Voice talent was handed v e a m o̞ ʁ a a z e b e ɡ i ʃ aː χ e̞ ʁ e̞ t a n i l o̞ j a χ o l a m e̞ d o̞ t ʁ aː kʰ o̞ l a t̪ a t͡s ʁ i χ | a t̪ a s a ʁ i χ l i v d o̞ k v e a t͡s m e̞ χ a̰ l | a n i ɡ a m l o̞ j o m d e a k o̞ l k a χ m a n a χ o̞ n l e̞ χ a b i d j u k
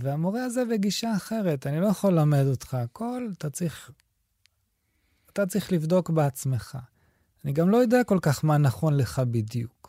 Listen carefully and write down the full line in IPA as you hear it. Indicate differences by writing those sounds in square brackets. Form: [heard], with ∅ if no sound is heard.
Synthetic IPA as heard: v e a m o̞ ʁ [e] a z e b e ɡ i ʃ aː χ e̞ ʁ e̞ t a n i l o̞ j a χ o l a m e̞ d o̞ t [χ] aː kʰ o̞ l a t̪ a t͡s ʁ i χ | a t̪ a [t͡s] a ʁ i χ l i v d o̞ k [b] e a t͡s m e̞ χ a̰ [∅] | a n i ɡ a m l o̞ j o [∅] d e a k o̞ l k a χ m a n a χ o̞ n l e̞ χ a b i d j u k